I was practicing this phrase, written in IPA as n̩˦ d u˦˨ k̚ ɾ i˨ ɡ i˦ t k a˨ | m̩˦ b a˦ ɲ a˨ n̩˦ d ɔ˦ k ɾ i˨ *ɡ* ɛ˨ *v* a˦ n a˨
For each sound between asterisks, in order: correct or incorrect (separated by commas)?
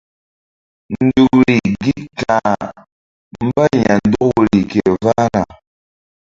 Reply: incorrect, correct